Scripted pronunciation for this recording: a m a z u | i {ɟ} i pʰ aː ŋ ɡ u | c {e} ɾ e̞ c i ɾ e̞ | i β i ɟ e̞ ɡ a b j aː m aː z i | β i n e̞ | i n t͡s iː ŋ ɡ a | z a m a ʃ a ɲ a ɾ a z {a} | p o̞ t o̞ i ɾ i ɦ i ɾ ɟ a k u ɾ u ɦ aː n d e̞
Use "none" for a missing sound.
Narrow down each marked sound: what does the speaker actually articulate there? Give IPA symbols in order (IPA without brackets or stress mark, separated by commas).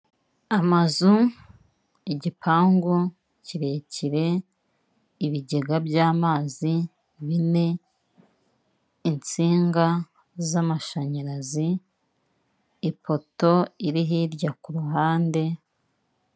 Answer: ɟ, i, i